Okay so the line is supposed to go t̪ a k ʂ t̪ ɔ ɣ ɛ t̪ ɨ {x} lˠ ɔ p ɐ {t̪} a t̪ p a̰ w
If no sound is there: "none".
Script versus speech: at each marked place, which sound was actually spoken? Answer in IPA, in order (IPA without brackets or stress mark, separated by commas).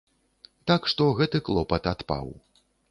k, t̪